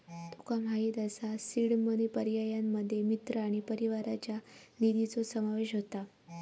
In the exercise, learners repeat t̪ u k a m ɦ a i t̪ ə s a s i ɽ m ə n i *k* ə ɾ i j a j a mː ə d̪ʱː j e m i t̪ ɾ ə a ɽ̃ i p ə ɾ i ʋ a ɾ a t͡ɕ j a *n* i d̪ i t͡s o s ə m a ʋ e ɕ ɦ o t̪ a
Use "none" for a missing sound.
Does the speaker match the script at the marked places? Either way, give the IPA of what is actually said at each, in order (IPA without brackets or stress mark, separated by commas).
p, n